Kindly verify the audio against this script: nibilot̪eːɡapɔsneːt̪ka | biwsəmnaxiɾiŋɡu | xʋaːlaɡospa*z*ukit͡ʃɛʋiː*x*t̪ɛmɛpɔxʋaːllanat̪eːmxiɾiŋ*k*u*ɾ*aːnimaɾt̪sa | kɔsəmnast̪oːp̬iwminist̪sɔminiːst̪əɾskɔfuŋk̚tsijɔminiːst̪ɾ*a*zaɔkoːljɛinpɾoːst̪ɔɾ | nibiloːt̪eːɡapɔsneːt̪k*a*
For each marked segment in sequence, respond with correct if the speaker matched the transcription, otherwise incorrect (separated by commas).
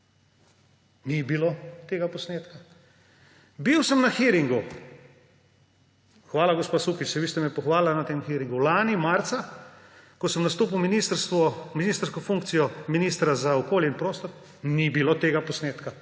incorrect, incorrect, incorrect, incorrect, correct, correct